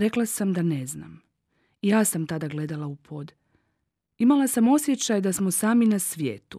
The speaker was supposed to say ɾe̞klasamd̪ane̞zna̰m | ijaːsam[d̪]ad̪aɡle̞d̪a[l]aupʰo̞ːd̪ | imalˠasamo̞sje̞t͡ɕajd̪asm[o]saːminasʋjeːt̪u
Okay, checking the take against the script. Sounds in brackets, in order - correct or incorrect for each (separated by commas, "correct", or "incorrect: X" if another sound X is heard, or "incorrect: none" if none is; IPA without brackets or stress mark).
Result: incorrect: t̪, correct, correct